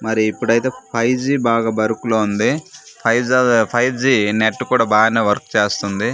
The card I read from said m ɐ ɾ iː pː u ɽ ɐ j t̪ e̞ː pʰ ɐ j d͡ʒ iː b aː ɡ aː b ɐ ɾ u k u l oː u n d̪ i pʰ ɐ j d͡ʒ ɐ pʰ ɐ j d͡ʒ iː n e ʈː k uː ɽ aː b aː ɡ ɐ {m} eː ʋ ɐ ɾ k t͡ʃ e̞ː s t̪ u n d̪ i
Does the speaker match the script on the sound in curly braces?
no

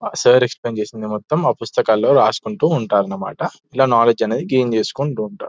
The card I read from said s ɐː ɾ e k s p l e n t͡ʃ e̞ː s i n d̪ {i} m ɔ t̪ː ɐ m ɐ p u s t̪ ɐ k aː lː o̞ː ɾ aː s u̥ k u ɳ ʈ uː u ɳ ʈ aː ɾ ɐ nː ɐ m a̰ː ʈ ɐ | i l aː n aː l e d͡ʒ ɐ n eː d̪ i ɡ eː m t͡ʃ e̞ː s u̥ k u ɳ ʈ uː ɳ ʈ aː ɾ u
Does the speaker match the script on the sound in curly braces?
yes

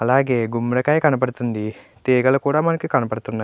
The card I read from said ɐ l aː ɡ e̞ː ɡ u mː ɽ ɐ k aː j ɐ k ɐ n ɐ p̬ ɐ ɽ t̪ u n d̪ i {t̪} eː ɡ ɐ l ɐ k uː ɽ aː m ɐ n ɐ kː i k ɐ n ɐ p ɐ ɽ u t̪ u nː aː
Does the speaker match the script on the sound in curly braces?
yes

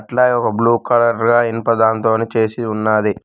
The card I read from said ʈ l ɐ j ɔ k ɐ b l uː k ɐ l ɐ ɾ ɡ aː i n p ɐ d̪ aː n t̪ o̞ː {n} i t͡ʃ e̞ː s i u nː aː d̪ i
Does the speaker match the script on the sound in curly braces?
yes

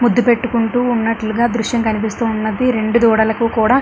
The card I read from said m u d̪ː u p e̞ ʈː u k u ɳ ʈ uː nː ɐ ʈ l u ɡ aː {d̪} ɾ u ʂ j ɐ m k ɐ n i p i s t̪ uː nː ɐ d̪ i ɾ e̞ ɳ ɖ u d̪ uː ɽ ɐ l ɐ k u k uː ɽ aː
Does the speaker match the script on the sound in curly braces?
yes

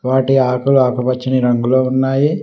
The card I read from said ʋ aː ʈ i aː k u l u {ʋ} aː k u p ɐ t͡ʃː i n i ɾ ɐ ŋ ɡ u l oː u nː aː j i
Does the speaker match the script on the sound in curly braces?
no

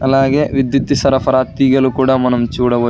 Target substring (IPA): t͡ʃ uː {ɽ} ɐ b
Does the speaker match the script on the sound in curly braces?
yes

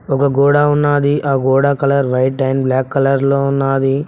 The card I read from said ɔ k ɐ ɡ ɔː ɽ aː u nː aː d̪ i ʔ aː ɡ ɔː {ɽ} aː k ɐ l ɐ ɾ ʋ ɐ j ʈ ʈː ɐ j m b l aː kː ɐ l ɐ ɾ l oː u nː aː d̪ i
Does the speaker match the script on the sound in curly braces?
yes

